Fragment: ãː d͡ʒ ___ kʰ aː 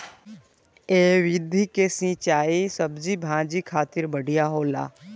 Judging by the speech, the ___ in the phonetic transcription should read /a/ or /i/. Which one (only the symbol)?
i